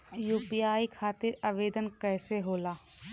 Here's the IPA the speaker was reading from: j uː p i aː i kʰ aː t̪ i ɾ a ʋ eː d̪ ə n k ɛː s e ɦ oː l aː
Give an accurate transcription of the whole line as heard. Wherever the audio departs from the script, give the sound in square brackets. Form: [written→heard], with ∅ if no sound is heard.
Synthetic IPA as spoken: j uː p i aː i kʰ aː t̪ [i→ɪ] ɾ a ʋ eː d̪ ə n k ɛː s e ɦ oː l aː